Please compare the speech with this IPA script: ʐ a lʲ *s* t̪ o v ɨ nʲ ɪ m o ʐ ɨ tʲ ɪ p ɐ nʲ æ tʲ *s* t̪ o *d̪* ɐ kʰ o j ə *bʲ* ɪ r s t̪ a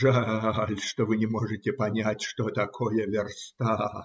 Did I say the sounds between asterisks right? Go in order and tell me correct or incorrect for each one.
incorrect: ʂ, incorrect: ʂ, incorrect: t̪, incorrect: vʲ

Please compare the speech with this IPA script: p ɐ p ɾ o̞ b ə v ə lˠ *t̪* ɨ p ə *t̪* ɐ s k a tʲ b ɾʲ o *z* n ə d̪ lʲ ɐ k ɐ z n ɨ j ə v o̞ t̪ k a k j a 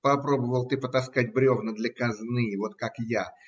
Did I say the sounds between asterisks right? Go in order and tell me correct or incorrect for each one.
correct, correct, incorrect: v

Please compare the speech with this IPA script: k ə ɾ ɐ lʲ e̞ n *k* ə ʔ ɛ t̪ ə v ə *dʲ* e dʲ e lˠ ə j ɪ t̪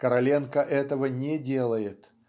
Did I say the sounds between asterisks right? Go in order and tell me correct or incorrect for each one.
correct, incorrect: nʲ

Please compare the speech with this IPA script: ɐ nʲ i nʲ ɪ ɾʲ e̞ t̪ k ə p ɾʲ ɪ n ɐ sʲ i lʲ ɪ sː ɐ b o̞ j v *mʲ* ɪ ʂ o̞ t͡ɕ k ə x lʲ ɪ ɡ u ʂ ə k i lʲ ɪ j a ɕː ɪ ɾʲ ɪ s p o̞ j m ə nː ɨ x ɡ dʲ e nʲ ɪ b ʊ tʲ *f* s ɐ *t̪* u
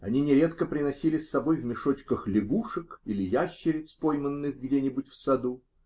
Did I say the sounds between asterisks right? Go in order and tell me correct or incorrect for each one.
correct, correct, incorrect: d̪

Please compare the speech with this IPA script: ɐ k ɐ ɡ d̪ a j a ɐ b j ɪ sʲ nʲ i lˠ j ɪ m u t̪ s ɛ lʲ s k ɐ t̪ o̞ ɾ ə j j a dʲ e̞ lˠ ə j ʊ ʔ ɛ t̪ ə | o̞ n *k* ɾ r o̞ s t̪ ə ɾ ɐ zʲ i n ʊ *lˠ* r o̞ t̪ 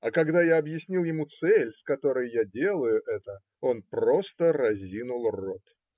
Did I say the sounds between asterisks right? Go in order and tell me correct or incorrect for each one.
incorrect: p, correct

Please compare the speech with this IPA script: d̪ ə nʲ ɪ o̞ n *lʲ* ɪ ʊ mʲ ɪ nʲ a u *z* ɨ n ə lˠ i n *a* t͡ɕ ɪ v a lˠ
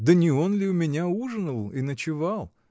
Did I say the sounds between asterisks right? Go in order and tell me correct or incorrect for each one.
correct, incorrect: ʐ, incorrect: ə

